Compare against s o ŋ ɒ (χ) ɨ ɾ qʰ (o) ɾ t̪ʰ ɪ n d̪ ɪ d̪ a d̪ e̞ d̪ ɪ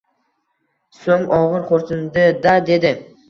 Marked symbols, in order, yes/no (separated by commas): no, yes